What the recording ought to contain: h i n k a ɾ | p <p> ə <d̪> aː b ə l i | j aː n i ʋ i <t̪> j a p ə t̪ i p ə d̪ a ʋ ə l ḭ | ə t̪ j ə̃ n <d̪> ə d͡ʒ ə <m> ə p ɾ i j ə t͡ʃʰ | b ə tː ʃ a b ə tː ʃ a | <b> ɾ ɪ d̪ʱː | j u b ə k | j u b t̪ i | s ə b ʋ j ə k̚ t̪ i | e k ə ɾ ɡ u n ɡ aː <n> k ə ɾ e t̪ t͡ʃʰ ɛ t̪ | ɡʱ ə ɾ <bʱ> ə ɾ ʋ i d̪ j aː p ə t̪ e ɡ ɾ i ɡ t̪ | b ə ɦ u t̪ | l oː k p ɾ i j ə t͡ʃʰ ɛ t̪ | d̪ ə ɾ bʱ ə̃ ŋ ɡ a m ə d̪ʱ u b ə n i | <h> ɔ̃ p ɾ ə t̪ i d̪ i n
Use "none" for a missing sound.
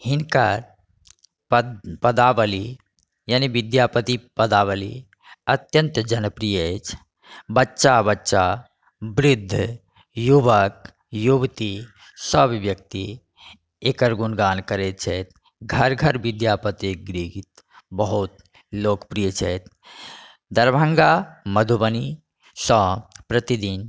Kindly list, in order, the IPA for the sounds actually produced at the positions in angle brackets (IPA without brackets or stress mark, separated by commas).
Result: p, d̪, d̪, t̪, n, b, n, ɡʱ, s